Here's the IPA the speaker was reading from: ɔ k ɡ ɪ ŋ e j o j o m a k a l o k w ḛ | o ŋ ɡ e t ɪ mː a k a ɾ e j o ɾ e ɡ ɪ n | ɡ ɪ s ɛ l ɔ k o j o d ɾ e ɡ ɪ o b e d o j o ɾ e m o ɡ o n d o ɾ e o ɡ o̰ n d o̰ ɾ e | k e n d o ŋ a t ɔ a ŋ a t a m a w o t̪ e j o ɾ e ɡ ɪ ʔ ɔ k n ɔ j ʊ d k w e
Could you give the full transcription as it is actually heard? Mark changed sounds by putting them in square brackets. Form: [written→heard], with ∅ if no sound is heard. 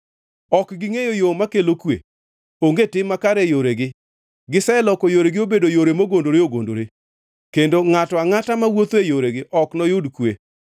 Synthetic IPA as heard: ɔ k ɡ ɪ ŋ e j o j o m a k [a→e] l o k w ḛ | o ŋ ɡ e t ɪ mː a k a ɾ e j o ɾ e ɡ ɪ [n→∅] | ɡ ɪ s ɛ l ɔ k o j o [d→∅] ɾ e ɡ ɪ o b e d o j o ɾ e m o ɡ o n d o ɾ e o ɡ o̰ n d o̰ ɾ e | k e n d o ŋ a t ɔ a ŋ a t a m a w o t̪ e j o ɾ e ɡ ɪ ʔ ɔ k n ɔ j ʊ d k w e